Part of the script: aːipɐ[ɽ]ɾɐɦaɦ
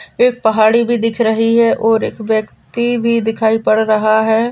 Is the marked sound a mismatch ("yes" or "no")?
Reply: no